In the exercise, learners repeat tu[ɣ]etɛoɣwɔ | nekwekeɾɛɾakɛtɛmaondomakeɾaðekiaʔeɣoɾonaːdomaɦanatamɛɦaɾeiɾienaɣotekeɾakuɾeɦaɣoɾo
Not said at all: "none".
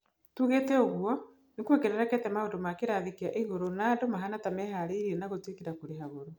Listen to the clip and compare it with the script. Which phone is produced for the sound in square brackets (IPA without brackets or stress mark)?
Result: ɣ